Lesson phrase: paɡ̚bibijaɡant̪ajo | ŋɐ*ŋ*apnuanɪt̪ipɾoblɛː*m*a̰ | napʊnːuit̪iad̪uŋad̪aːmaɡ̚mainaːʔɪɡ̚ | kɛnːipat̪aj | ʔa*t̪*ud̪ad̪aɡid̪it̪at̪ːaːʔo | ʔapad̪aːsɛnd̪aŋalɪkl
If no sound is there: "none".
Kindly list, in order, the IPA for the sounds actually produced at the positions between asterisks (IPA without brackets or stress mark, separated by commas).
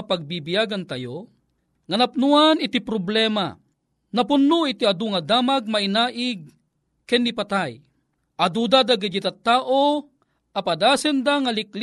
n, m, d̪